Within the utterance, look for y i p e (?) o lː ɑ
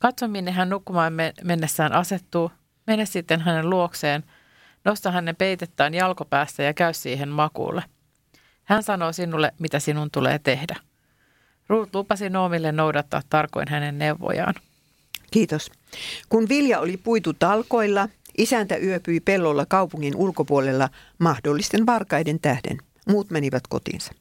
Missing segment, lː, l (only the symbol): lː